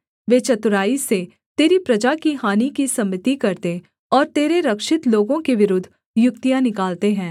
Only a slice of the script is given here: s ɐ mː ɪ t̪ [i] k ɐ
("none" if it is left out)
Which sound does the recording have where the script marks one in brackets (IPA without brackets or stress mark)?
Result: i